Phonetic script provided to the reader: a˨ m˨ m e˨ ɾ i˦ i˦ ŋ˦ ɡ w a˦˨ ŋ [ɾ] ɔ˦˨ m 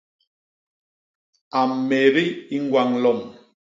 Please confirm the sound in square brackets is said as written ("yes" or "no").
no